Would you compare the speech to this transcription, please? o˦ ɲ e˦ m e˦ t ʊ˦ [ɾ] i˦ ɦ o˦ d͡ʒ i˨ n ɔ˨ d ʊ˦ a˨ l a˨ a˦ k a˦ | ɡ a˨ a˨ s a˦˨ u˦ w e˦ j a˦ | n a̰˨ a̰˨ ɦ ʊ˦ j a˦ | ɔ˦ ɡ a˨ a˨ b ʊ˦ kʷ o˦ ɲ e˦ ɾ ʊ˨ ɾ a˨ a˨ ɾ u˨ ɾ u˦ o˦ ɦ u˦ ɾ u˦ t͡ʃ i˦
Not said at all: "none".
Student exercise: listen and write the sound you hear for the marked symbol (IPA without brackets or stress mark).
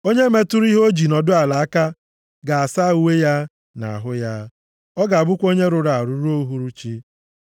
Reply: ɾ